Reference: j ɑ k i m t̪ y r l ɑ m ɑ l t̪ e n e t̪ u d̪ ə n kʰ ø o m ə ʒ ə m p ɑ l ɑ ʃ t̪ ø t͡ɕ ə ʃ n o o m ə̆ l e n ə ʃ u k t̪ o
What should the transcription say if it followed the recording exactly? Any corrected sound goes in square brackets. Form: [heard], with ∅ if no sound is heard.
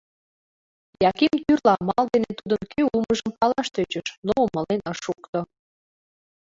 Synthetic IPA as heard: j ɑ k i m t̪ y r l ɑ m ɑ l [d̪] e n e t̪ u d̪ ə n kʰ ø [u] m ə ʒ ə m p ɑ l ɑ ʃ t̪ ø t͡ɕ ə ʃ n o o m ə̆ l e n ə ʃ u k t̪ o